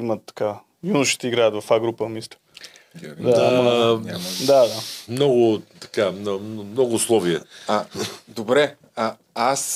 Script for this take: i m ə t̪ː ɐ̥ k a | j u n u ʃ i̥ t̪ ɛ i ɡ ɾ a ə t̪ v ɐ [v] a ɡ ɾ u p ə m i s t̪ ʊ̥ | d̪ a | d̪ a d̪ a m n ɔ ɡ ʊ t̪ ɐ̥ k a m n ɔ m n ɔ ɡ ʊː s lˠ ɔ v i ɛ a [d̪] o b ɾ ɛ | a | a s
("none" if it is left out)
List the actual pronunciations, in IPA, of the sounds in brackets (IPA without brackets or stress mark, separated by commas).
f, d̪